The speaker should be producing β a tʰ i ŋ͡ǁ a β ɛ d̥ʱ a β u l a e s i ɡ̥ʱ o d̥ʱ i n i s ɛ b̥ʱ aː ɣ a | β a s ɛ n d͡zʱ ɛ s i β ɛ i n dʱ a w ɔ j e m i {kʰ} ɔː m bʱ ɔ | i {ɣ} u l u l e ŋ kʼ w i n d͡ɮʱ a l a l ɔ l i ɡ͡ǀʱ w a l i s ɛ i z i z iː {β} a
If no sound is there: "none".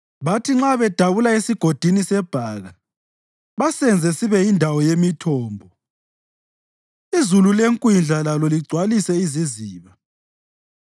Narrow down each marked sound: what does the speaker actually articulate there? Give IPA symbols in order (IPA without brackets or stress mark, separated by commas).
tʰ, z, β